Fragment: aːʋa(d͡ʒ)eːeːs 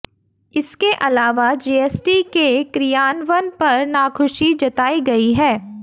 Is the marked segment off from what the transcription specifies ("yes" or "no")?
no